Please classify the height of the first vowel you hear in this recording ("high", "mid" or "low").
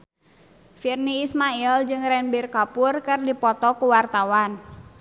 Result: high